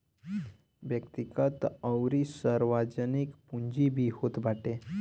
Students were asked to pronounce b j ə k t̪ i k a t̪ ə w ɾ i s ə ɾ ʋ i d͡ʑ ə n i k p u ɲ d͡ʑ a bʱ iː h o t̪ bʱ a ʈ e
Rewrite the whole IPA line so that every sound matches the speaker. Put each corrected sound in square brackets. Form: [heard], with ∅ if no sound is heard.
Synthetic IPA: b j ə k t̪ i k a t̪ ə w ɾ i s ə ɾ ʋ [a] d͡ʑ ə n i k p u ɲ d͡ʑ [i] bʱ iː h o t̪ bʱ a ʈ e

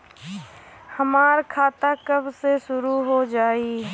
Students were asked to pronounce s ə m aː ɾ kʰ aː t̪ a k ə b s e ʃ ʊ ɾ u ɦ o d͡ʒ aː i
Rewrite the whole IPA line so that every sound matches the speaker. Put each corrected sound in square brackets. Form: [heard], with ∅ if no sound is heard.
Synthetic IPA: [h] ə m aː ɾ kʰ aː t̪ a k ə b s e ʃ ʊ ɾ u ɦ o d͡ʒ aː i

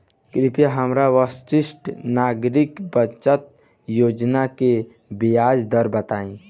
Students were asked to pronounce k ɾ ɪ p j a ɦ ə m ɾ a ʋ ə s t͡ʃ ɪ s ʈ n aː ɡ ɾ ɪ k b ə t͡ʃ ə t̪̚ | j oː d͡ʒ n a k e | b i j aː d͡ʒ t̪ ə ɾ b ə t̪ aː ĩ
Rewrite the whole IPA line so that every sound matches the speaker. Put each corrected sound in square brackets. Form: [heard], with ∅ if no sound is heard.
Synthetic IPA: k ɾ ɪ p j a ɦ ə m ɾ a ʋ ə s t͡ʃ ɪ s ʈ n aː ɡ ɾ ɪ k b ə t͡ʃ ə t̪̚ | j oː d͡ʒ n a k e | b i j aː d͡ʒ [d̪] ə ɾ b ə t̪ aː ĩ

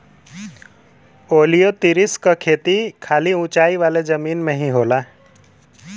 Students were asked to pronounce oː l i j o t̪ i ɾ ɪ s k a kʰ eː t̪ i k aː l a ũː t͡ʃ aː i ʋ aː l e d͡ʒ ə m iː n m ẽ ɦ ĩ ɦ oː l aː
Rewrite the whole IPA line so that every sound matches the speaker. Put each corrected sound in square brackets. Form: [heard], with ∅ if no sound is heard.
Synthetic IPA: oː l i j o t̪ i ɾ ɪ s k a kʰ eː t̪ i [kʰ] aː l [i] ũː t͡ʃ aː i ʋ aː l e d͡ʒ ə m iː n m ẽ ɦ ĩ ɦ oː l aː

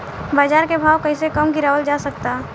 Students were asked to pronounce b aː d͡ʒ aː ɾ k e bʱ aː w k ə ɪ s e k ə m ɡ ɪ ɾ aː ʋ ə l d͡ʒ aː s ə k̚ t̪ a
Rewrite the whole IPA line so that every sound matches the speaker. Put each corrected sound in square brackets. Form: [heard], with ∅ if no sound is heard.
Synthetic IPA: b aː d͡ʒ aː ɾ k e bʱ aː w k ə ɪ s e k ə m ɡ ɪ ɾ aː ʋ ə l d͡ʒ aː s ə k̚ t̪ a

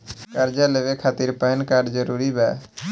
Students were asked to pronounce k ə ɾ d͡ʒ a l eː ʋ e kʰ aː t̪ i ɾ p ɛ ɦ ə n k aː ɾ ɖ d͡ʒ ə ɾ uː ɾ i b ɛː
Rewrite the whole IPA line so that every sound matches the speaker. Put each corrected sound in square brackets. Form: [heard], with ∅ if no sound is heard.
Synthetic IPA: k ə ɾ d͡ʒ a l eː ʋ e kʰ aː t̪ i ɾ p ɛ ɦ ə n k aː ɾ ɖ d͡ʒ ə ɾ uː ɾ i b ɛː

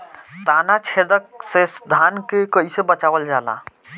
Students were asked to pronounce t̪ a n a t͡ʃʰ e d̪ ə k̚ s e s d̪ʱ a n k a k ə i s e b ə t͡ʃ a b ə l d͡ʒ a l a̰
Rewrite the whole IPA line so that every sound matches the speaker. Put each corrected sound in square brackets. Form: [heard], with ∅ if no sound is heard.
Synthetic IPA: t̪ a n a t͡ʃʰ e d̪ ə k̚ s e s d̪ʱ a n k [e] k ə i s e b ə t͡ʃ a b ə l d͡ʒ a l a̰

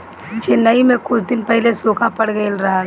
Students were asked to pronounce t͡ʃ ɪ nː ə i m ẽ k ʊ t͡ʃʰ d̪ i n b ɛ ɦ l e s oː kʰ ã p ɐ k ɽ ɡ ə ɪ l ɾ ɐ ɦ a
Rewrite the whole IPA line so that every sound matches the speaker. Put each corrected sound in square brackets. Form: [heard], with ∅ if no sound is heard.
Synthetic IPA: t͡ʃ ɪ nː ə i m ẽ k ʊ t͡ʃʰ d̪ [ɪ] n [p] ɛ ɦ l e s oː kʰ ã p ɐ [∅] ɽ ɡ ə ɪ l ɾ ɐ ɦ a

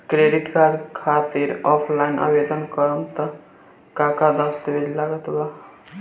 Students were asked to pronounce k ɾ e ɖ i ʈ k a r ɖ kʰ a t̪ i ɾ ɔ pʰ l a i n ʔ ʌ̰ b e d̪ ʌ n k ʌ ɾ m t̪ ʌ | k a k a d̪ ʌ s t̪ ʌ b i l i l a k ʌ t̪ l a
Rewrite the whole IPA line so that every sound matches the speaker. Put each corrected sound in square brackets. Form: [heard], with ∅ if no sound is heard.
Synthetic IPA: k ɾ e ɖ i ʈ k a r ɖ kʰ a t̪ i ɾ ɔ pʰ l a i n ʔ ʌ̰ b e d̪ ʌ n k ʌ ɾ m t̪ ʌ | k a k a d̪ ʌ s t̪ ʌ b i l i l a [ɡ] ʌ t̪ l a

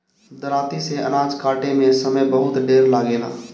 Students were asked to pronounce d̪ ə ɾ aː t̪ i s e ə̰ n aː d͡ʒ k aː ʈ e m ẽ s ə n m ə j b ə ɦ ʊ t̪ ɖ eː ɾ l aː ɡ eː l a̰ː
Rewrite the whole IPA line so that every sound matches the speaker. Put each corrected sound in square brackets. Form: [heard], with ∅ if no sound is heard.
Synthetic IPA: d̪ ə ɾ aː t̪ i s e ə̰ n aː d͡ʒ k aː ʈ e m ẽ s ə [∅] m ə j b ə ɦ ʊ t̪ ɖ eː ɾ l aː ɡ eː l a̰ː

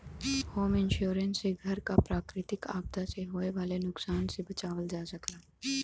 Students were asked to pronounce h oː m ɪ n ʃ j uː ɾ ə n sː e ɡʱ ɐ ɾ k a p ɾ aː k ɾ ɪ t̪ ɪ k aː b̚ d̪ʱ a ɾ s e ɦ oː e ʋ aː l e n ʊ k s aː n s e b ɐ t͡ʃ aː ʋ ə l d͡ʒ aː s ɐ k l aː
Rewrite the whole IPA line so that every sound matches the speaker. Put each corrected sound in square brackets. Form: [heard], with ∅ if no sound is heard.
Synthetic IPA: h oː m ɪ n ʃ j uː ɾ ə n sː e ɡʱ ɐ ɾ k a p ɾ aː k ɾ ɪ t̪ ɪ k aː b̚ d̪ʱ a [∅] s e ɦ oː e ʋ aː l e n ʊ k s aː n s e b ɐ t͡ʃ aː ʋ ə l d͡ʒ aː s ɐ k l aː

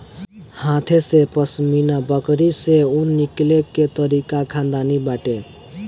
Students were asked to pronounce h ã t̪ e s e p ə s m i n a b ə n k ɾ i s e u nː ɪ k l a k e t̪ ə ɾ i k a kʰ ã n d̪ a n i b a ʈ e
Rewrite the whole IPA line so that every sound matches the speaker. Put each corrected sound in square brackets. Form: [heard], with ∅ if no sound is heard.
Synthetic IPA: h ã [t̪ʰ] e s e p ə s m i n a b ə [∅] k ɾ i s e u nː [i] k l [e] k e t̪ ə ɾ i k a kʰ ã n d̪ a n i b a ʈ e

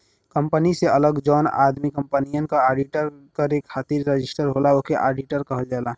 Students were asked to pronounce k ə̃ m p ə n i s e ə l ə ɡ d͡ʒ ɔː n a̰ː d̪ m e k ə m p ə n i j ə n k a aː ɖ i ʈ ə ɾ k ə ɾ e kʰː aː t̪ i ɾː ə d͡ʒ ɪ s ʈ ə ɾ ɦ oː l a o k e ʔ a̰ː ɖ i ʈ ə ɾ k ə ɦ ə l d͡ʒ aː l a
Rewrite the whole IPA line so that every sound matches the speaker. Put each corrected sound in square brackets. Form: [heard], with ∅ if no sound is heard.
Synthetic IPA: k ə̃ m p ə n i s e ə l ə ɡ d͡ʒ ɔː n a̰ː d̪ m [i] k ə m p ə n i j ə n k a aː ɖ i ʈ ə ɾ k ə ɾ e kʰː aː t̪ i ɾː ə d͡ʒ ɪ s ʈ ə ɾ ɦ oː l a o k e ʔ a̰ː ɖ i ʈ ə ɾ k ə ɦ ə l d͡ʒ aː l a

